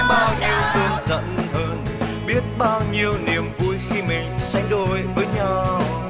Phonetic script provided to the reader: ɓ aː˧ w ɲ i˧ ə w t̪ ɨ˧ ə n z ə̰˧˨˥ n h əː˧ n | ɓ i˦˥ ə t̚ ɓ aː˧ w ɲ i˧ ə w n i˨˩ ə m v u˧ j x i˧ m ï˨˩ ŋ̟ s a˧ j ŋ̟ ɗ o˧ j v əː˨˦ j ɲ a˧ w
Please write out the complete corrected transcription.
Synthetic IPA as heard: ɓ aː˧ w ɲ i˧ ə w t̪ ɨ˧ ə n z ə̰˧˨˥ n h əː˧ n | ɓ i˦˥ ə t̚ ɓ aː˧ w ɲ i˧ ə w n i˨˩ ə m v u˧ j x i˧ m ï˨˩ ŋ̟ s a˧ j ŋ̟ ɗ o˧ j v əː˨˦ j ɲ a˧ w

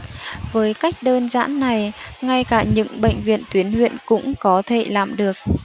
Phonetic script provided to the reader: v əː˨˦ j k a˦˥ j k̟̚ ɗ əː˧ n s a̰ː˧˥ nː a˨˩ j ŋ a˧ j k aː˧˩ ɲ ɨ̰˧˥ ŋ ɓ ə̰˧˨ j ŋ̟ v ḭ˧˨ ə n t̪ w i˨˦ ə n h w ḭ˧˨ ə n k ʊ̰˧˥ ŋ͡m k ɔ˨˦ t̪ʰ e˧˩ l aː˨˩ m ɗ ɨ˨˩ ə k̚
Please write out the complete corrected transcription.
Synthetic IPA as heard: v əː˨˦ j k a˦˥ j k̟̚ ɗ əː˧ n z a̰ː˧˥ nː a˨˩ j ŋ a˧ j k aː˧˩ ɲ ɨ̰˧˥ ŋ ɓ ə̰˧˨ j ŋ̟ v ḭ˧˨ ə n t̪ w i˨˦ ə n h w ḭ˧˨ ə n k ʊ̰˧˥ ŋ͡m k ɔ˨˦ t̪ʰ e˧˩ l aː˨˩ m ɗ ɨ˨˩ ə k̚

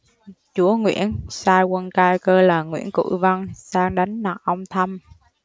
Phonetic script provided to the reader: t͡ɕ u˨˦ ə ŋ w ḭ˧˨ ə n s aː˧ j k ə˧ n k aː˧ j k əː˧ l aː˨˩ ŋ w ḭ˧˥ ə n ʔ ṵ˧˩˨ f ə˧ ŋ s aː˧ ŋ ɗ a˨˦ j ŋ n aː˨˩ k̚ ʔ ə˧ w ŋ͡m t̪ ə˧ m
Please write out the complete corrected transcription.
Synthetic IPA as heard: t͡ɕ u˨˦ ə ŋ w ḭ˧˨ ə n s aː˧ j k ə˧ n k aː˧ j k əː˧ l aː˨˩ ŋ w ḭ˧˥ ə n k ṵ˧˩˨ v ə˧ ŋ s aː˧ ŋ ɗ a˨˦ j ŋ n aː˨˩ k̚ ʔ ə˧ w ŋ͡m t̪ʰ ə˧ m

